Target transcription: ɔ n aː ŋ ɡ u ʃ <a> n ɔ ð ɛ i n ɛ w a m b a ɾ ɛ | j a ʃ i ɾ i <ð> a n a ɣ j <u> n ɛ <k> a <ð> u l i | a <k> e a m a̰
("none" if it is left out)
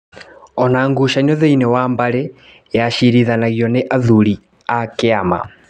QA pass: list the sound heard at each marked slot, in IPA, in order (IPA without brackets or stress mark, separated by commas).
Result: a, ð, ɔ, ʔ, ð, k